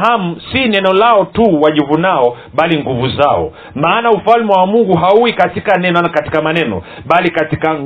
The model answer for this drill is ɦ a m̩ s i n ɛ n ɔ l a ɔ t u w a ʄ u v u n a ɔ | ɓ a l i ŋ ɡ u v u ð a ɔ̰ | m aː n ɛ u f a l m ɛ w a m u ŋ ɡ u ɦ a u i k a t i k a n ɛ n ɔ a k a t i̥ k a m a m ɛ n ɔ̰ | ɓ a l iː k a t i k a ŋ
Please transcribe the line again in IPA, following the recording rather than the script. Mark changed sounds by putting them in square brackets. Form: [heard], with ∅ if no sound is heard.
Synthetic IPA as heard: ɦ a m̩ s i n ɛ n ɔ l a ɔ t u w a ʄ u v u n a ɔ | ɓ a l i ŋ ɡ u v u [z] a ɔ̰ | m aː n [a] u f a l m ɛ w a m u ŋ ɡ u ɦ a u i k a t i k a n ɛ n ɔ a k a t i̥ k a m a [n] ɛ n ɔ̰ | ɓ a l [i] k a t i k a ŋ